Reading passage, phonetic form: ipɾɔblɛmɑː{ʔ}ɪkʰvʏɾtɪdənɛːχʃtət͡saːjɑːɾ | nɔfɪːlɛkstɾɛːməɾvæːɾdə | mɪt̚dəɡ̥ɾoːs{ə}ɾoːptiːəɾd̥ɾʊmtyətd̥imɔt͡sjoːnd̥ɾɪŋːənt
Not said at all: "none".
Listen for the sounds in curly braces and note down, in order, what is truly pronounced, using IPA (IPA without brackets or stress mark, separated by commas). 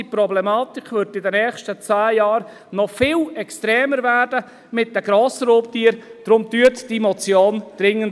t, ə